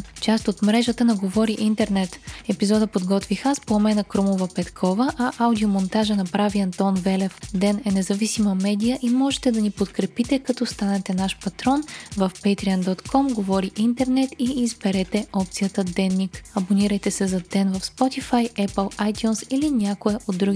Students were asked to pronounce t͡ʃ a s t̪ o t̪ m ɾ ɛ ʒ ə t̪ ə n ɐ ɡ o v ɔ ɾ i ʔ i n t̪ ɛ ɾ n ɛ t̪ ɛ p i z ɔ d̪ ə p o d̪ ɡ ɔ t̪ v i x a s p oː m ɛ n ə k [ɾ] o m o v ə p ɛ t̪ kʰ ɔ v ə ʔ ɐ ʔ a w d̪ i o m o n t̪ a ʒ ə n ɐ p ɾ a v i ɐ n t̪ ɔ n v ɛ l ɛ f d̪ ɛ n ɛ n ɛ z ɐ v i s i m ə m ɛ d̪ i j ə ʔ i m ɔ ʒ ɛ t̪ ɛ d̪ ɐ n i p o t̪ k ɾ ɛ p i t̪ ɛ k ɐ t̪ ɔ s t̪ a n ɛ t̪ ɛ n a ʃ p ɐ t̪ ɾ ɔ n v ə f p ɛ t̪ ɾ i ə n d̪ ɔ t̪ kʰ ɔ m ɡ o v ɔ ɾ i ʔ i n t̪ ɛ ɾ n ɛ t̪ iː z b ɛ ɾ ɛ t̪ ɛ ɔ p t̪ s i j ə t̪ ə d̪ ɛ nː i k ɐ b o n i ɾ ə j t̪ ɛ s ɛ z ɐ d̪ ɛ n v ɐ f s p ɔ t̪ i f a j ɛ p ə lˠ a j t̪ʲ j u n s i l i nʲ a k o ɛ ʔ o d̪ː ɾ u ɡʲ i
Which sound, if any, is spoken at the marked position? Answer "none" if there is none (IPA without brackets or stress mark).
ɾ